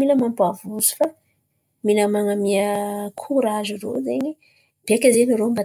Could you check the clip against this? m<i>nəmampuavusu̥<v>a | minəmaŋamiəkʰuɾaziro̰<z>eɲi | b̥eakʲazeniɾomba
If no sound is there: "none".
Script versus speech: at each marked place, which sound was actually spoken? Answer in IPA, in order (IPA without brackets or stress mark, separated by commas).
i, f, z